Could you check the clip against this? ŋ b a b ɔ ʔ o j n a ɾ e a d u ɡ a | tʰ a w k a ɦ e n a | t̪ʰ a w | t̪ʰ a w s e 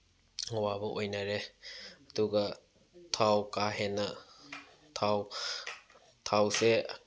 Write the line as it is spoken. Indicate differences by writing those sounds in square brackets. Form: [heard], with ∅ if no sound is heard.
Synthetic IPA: ŋ [w] a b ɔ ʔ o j n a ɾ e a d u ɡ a | tʰ a w k a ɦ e n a | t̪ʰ a w | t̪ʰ a w s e